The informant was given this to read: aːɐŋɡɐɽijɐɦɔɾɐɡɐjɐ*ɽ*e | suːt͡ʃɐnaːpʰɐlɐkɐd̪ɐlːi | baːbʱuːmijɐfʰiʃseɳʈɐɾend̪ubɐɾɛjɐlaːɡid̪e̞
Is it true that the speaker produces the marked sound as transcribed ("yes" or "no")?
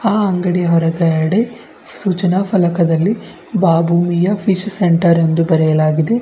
yes